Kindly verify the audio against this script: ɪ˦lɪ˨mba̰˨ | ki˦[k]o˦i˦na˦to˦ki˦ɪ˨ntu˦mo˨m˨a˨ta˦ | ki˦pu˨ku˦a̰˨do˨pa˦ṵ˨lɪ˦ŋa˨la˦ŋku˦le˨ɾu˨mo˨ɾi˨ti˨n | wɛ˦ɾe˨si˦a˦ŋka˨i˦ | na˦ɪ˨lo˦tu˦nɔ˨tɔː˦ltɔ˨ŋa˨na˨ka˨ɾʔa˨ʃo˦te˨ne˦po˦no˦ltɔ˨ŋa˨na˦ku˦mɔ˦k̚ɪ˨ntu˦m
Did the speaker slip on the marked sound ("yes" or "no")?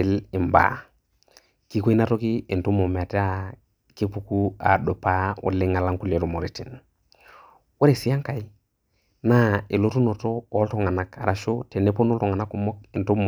no